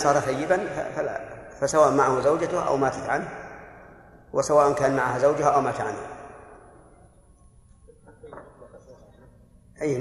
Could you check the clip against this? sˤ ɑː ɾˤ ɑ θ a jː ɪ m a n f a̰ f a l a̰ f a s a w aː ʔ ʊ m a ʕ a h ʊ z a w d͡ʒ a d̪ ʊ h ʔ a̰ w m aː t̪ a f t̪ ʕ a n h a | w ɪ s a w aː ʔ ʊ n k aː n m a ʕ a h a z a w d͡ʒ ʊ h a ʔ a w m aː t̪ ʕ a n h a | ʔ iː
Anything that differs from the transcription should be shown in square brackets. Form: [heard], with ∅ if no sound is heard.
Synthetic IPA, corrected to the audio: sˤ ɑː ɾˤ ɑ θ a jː ɪ [b] a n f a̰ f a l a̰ f a s a w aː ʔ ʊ m a ʕ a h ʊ z a w d͡ʒ a [t̪] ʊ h ʔ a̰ w m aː t̪ a [∅] t̪ ʕ a n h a | w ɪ s a w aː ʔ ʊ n k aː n m a ʕ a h a z a w d͡ʒ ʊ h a ʔ a w m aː t̪ ʕ a n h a | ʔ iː